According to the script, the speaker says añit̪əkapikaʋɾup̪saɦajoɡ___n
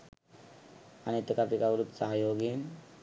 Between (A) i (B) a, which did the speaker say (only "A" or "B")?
A